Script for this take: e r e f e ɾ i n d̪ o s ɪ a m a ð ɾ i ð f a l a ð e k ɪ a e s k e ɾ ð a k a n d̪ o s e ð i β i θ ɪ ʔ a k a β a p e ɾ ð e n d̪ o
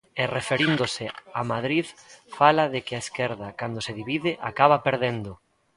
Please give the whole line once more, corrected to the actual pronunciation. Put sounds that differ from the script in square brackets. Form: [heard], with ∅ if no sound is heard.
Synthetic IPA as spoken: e r e f e ɾ i n d̪ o s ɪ a m a ð ɾ i ð f a l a ð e k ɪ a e s k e ɾ ð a k a n d̪ o s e ð i β i [ð] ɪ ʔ a k a β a p e ɾ ð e n d̪ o